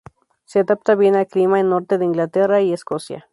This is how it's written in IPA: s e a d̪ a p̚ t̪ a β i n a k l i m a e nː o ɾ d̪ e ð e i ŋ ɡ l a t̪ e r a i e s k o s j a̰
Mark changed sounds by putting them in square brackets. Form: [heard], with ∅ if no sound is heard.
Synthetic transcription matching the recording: s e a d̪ a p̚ t̪ a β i n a k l i m a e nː o ɾ [t̪] e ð e i ŋ ɡ l a t̪ e r a i e s k o s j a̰

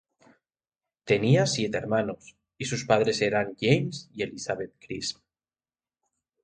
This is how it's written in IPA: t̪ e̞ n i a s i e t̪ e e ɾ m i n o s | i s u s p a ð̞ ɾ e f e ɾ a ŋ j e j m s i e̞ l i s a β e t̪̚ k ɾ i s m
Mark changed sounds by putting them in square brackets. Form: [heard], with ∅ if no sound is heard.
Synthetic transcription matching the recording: t̪ e̞ n i a s [j] e t̪ e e ɾ m [a] n o s | i s u s p a ð̞ ɾ e [s] e ɾ a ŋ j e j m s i e̞ l i s a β e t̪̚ k ɾ i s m

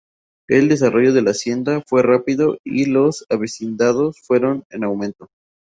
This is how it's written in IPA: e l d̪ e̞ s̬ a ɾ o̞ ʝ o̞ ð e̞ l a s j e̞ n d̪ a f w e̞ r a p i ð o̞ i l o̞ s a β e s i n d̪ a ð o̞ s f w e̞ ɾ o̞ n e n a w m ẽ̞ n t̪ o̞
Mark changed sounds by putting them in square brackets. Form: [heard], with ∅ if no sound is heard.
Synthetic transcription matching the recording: e l d̪ e̞ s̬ a [r] o̞ ʝ o̞ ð e̞ l a s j e̞ n d̪ a f w e̞ r a p i ð o̞ i l o̞ s a β e s i n d̪ a ð o̞ s f w e̞ ɾ o̞ n e n a w m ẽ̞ n t̪ o̞

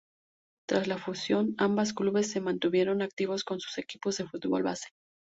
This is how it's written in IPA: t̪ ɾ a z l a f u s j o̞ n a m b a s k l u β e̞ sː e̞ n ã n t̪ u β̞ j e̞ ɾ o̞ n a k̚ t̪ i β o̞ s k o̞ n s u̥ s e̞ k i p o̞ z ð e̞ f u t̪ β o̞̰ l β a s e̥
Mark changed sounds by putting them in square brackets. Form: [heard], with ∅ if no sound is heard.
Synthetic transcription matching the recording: t̪ ɾ a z l a f u s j o̞ n a m b a s k l u β e̞ sː e̞ [m] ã n t̪ u β̞ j e̞ ɾ o̞ n a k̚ t̪ i β o̞ s k o̞ n s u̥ s e̞ k i p o̞ z ð e̞ f u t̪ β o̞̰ l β a s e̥

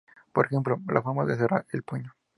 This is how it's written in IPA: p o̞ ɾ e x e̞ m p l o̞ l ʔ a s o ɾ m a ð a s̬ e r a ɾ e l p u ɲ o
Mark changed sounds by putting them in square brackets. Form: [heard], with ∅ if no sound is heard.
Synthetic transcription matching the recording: p o̞ ɾ e x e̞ m p l o̞ l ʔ a [f] o ɾ m a ð [e] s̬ e r a ɾ e l p u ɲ o

